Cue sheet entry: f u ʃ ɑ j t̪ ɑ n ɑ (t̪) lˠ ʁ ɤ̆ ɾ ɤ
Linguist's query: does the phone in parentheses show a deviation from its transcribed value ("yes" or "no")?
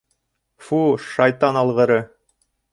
yes